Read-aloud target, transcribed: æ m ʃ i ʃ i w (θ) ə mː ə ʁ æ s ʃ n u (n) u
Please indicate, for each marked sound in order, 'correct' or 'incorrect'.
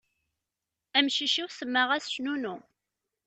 incorrect: s, correct

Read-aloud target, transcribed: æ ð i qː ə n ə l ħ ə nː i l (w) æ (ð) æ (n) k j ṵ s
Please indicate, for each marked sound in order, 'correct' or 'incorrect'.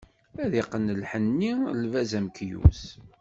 incorrect: v, incorrect: z, incorrect: m

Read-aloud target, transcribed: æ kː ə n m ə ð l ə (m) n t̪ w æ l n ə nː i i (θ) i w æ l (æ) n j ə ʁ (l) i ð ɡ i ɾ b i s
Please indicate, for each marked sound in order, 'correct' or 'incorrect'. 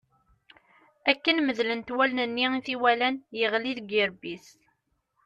incorrect: none, correct, correct, correct

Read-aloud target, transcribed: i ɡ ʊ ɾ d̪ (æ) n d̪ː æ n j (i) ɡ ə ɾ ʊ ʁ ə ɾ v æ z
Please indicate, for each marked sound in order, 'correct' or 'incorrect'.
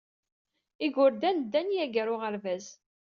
correct, incorrect: æ

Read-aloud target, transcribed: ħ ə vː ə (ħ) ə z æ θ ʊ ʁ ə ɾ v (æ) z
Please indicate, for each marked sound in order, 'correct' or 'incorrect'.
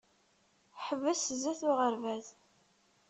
incorrect: s, correct

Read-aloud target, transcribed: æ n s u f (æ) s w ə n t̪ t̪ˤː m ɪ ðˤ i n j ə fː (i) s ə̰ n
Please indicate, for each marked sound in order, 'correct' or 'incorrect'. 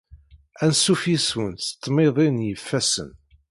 incorrect: i, incorrect: æ

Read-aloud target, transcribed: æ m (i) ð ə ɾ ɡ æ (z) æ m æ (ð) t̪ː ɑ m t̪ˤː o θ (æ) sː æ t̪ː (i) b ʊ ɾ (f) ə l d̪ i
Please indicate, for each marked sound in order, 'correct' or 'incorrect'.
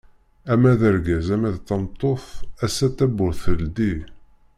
incorrect: æ, correct, correct, correct, incorrect: æ, incorrect: θ

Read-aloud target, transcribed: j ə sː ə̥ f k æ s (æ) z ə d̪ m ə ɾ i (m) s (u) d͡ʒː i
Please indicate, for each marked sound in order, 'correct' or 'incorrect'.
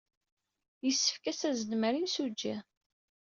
correct, incorrect: n, correct

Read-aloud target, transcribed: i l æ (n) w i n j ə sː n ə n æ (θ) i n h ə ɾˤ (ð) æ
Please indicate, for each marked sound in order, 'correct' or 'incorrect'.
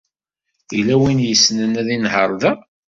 incorrect: none, incorrect: ð, correct

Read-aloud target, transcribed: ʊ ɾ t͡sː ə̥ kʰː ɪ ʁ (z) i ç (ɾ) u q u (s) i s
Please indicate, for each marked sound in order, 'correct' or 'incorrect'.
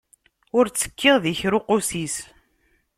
incorrect: ð, correct, correct

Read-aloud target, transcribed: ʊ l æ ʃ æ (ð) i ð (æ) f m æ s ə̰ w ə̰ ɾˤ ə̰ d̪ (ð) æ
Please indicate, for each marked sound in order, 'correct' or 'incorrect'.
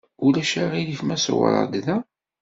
incorrect: ʁ, incorrect: i, correct

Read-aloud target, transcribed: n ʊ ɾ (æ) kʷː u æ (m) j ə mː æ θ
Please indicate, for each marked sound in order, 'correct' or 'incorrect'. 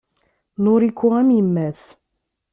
incorrect: i, correct

